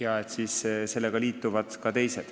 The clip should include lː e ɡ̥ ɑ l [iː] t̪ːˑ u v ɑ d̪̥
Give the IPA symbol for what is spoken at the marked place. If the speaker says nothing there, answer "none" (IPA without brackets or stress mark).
iː